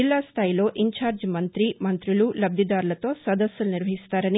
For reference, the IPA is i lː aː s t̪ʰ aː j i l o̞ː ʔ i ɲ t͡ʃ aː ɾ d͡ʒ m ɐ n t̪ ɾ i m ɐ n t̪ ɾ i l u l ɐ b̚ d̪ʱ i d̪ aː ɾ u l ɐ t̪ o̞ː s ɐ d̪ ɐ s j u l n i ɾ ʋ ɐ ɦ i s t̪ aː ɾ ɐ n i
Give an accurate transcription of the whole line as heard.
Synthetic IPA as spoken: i lː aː s t̪ʰ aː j i l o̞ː ʔ i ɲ t͡ʃ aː ɾ d͡ʒ m ɐ n t̪ ɾ i m ɐ n t̪ ɾ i l u l ɐ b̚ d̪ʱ i d̪ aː ɾ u l ɐ t̪ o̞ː s ɐ d̪ ɐ s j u l n i ɾ ʋ ɐ ɦ i s t̪ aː ɾ ɐ n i